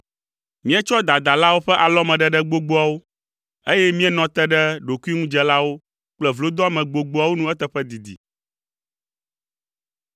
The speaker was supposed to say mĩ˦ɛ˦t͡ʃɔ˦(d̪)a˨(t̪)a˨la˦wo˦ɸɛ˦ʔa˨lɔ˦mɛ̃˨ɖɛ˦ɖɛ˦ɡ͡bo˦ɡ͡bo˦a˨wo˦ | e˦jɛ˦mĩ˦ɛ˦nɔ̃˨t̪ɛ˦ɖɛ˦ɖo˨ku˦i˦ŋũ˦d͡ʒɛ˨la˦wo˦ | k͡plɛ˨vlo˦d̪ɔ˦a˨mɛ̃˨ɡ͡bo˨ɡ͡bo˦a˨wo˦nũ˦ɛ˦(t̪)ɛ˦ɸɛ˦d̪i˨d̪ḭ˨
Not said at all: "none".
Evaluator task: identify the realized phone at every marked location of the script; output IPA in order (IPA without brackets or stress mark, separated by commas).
d̪, d̪, t̪